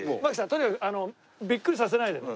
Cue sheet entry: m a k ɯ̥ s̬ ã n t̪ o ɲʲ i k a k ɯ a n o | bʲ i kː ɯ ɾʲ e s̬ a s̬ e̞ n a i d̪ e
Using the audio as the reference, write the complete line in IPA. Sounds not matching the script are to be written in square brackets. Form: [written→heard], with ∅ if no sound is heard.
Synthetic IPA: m a k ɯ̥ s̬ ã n t̪ o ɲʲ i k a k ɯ a n o | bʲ i kː ɯ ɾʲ [e→i] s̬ a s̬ e̞ n a i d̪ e